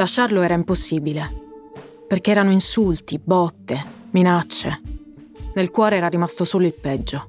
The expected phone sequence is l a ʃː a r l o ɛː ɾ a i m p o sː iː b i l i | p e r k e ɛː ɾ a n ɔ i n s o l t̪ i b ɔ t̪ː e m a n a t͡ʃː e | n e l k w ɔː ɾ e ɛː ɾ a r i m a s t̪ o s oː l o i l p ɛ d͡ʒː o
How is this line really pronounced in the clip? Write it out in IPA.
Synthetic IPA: l a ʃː a r l o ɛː ɾ a i m p o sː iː b i l e | p e r k e ɛː ɾ a n o i n s u l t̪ i b ɔ t̪ː e m i n a t͡ʃː e | n e l k w ɔː ɾ e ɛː ɾ a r i m a s t̪ o s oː l o i l p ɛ d͡ʒː o